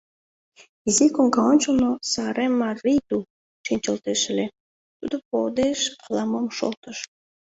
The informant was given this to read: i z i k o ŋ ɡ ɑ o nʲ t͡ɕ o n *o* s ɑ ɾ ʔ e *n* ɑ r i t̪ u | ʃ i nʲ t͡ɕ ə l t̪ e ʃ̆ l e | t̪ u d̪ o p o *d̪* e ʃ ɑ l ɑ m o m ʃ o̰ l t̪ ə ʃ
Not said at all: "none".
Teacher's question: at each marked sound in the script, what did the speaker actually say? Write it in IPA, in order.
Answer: o, m, d̪

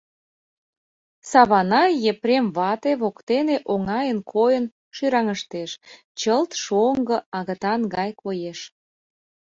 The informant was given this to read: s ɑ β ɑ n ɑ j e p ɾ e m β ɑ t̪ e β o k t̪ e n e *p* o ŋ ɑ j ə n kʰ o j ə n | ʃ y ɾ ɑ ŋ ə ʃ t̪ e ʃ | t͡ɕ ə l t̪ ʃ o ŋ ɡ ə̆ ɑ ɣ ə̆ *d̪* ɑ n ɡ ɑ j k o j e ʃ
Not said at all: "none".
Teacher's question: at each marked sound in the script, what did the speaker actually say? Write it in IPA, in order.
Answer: ʔ, t̪

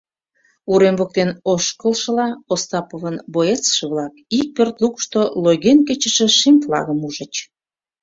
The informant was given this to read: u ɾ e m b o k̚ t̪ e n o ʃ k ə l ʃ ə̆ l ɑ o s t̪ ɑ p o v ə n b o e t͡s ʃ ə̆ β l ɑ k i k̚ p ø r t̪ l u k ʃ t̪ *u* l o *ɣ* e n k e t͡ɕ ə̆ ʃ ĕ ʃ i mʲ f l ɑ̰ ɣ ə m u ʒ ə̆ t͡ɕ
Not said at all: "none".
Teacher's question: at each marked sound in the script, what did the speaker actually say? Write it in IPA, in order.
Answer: o, ɣ

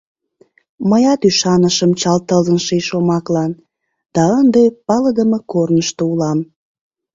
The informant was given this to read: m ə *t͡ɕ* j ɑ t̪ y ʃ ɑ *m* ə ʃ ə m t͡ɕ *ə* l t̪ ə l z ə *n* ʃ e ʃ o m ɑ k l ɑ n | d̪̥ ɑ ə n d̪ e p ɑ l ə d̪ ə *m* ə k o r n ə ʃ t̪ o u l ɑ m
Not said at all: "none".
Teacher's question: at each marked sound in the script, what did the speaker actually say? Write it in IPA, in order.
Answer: none, n, ɑ, n, m

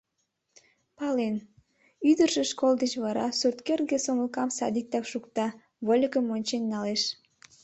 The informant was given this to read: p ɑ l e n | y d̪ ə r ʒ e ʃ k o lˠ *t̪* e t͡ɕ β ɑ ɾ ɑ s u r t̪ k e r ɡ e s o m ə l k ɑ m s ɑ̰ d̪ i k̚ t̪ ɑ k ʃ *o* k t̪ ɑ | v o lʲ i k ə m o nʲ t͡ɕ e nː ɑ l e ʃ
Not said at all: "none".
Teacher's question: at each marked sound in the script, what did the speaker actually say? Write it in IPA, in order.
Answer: d̪, u

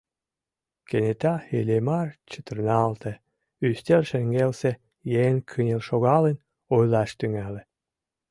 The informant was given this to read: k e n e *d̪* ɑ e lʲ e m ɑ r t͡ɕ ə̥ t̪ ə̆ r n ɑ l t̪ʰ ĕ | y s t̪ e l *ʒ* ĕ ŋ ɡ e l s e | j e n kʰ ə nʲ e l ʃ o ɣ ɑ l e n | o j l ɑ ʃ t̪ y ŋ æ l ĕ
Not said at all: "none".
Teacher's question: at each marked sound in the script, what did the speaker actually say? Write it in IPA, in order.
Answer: t̪, ʃ

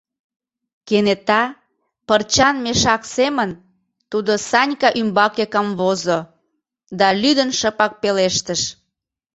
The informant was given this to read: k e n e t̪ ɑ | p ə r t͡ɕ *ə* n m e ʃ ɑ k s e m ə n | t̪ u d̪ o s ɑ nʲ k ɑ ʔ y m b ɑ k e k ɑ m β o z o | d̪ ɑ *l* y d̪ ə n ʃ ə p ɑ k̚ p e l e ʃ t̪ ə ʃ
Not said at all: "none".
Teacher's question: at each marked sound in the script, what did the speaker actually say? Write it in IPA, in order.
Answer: ɑ, l

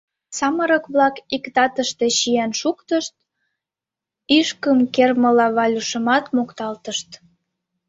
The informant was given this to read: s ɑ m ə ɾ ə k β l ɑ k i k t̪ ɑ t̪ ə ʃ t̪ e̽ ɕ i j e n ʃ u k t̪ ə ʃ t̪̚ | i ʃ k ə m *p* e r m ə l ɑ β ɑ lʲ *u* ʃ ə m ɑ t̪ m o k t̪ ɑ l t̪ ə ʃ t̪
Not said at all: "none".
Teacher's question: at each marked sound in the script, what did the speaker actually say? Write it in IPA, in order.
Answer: k, u

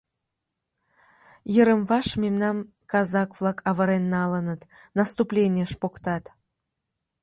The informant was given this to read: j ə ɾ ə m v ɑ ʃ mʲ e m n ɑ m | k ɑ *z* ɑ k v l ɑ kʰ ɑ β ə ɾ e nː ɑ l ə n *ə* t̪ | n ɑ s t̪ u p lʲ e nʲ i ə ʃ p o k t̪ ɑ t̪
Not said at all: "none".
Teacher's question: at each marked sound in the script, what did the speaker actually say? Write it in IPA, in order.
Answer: z, ə

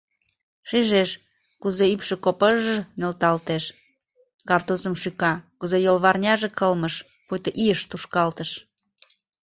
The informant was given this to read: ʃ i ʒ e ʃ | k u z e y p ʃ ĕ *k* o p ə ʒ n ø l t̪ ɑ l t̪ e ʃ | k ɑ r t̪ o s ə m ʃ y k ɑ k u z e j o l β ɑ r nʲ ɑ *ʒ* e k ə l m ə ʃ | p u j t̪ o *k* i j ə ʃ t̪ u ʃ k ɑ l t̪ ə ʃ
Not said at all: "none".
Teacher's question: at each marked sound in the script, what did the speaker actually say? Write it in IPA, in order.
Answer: k, ʒ, ʔ

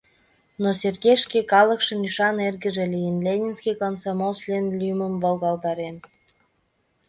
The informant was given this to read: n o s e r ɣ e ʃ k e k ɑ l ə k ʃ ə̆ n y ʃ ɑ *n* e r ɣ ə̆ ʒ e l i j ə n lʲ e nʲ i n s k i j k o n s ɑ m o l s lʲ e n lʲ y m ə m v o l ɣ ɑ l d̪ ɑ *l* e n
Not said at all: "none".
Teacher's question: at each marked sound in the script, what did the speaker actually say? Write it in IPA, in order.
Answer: n, ɾ

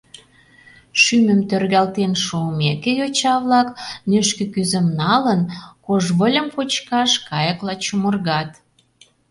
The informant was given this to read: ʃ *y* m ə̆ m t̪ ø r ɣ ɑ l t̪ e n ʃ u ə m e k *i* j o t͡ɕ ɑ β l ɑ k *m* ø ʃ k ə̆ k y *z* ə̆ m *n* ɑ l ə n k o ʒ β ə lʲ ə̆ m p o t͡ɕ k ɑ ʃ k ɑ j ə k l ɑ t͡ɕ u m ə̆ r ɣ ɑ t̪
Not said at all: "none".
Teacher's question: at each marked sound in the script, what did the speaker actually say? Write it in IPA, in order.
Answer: y, e, n, z, n

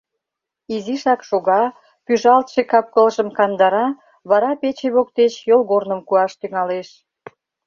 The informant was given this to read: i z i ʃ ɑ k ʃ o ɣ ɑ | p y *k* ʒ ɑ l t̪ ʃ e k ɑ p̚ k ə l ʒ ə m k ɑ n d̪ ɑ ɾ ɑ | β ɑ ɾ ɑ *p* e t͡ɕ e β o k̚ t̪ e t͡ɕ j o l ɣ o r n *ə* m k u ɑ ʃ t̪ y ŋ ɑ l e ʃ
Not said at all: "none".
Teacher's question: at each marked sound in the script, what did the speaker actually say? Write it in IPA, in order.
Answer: none, p, ə

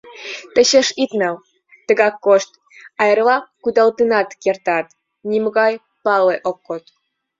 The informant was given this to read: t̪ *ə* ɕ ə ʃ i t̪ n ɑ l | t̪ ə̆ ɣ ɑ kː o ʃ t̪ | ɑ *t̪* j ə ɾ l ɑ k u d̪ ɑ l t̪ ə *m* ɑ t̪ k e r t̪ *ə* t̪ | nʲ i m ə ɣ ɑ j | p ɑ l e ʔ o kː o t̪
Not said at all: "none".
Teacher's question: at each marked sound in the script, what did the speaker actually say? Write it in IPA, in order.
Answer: ə, none, n, ɑ

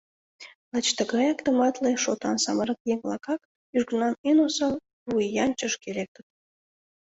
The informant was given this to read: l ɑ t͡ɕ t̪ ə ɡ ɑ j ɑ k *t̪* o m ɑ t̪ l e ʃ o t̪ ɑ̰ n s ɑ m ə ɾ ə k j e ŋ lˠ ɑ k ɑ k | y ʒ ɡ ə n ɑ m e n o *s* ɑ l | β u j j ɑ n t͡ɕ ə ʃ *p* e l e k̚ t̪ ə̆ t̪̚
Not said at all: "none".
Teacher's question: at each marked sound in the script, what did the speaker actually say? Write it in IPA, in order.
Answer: t̪, s, k

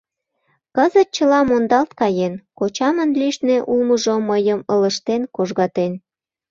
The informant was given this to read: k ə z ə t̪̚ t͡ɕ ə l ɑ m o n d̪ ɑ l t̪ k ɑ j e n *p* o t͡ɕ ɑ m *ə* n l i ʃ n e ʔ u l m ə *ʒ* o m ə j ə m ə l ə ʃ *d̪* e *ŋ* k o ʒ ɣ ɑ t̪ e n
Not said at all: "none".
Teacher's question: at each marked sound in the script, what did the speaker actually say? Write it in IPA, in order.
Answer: k, ə, ʒ, t̪, n

